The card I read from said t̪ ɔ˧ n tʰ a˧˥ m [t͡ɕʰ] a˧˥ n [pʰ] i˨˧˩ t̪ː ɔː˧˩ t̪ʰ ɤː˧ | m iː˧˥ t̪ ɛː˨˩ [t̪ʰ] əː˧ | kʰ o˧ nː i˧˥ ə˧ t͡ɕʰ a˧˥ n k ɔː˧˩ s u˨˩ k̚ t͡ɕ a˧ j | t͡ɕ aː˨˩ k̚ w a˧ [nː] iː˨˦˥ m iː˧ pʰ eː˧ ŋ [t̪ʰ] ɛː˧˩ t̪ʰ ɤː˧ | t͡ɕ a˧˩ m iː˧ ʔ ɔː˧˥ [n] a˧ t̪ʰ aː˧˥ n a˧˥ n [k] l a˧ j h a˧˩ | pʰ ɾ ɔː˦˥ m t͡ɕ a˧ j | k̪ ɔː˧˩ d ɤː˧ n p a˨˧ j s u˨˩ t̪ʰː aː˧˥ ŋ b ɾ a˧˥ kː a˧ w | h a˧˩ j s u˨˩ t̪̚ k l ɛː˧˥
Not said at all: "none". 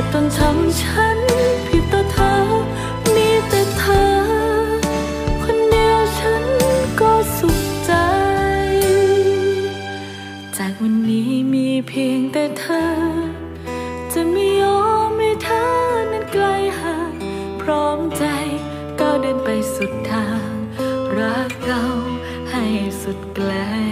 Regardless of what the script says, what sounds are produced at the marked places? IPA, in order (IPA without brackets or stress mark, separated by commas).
t͡ɕʰ, pʰ, t̪ʰ, nː, t̪, m, k